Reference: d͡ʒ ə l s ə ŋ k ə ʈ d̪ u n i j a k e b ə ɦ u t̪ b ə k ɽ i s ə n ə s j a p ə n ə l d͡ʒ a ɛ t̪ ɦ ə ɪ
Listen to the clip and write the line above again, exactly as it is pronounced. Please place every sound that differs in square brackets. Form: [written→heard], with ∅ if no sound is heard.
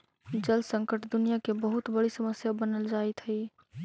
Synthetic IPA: d͡ʒ ə l s ə ŋ k ə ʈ d̪ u n i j a k e b ə ɦ u t̪ b ə [k→∅] ɽ i s ə [n→m] ə s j a [p→b] ə n ə l d͡ʒ a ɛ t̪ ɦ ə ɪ